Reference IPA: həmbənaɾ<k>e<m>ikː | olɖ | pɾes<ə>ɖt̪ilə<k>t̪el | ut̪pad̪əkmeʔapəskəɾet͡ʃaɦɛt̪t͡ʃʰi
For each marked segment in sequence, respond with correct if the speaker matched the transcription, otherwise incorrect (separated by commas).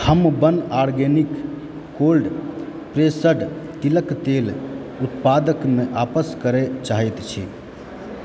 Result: incorrect, incorrect, correct, correct